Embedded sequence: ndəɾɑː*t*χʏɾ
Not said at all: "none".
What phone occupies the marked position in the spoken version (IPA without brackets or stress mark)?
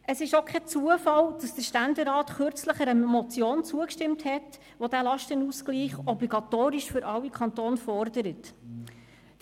t